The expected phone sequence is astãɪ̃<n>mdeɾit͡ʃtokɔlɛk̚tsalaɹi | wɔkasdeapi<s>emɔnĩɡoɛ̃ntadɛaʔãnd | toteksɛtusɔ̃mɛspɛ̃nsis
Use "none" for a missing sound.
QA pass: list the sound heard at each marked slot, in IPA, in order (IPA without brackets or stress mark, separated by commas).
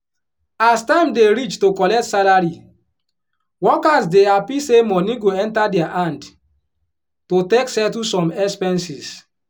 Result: none, s